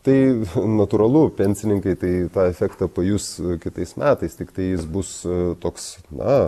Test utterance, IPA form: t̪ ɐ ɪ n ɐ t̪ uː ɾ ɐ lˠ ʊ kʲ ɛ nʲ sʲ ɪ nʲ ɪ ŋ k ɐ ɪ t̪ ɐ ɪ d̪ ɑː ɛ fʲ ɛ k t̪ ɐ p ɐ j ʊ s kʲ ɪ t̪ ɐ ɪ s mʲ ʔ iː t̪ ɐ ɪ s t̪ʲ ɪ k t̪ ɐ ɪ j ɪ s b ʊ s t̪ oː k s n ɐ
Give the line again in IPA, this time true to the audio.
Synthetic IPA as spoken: t̪ ɐ ɪ n ɐ t̪ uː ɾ ɐ lˠ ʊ pʲ ɛ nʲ sʲ ɪ nʲ ɪ ŋ k ɐ ɪ t̪ ɐ ɪ t̪ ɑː ɛ fʲ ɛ k t̪ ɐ p ɐ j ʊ s kʲ ɪ t̪ ɐ ɪ s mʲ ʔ æː t̪ ɐ ɪ s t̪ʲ ɪ k t̪ ɐ ɪ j ɪ s b ʊ s t̪ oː k s n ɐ